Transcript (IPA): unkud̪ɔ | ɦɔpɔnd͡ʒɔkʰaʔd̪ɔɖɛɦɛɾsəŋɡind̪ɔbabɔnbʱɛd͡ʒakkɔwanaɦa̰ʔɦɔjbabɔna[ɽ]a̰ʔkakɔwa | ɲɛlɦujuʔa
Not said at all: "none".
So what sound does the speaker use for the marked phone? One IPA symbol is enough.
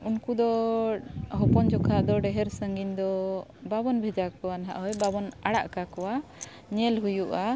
ɽ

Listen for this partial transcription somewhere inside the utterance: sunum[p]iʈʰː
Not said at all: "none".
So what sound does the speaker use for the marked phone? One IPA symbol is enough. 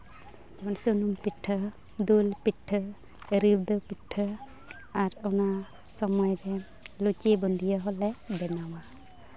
p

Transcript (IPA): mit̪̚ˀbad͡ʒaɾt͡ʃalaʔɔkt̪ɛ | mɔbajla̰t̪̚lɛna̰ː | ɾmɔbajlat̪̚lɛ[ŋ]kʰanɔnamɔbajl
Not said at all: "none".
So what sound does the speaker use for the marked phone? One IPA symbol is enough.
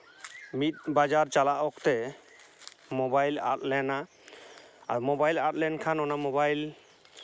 n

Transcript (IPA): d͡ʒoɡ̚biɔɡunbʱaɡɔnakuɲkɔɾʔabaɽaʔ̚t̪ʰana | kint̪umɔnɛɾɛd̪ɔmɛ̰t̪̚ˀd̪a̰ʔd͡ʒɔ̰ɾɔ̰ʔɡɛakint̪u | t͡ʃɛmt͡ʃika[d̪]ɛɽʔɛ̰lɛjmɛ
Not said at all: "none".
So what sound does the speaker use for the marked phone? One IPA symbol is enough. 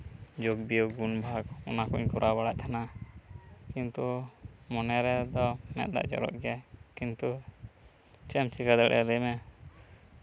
d̪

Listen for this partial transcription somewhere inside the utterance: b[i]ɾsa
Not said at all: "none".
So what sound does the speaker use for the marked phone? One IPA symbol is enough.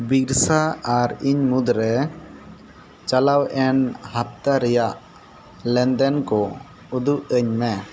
i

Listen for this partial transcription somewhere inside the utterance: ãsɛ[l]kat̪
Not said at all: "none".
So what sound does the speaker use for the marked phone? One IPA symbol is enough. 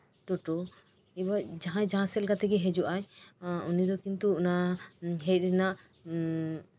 l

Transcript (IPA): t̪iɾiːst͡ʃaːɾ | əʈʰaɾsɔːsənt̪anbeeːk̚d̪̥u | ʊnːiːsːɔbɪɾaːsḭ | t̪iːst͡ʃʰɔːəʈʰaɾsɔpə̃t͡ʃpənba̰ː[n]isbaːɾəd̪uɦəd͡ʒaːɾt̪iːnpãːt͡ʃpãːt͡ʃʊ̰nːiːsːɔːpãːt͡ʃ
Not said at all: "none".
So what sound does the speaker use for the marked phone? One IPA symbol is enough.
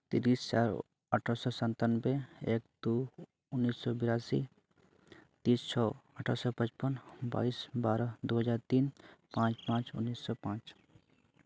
none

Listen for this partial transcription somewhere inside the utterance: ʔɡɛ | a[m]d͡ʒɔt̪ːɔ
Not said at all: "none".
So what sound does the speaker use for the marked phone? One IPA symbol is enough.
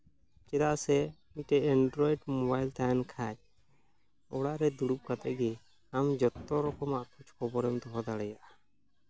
m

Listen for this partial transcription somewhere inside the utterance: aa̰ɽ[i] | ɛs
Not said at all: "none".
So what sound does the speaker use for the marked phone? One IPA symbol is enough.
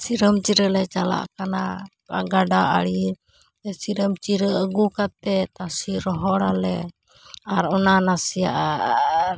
i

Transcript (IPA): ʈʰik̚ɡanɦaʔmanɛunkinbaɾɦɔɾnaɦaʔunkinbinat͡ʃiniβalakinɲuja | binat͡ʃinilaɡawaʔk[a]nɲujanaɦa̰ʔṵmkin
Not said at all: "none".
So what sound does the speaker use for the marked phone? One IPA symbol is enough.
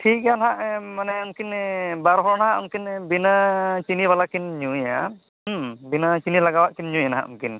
i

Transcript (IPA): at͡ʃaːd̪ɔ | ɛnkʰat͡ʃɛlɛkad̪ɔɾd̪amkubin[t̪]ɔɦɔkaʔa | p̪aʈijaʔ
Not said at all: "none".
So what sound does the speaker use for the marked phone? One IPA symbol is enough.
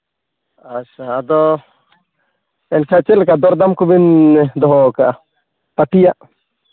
d̪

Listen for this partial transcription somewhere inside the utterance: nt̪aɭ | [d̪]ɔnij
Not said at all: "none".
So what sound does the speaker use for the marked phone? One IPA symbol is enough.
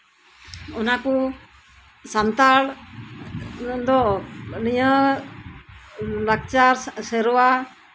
d̪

